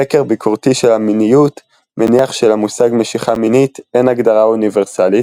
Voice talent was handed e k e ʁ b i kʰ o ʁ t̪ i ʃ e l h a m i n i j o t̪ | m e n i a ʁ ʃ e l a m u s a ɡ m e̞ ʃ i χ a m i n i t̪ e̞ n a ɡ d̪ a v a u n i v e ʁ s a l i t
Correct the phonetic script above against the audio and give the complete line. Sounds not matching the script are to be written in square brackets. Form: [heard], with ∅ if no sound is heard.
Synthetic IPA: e k e ʁ b i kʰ o ʁ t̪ i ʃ e l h a m i n i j [u] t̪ | m e n i a [χ] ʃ e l a m u s a ɡ m e̞ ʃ i χ a m i n i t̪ e̞ n a ɡ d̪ a [ʁ] a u n i v e ʁ s a l i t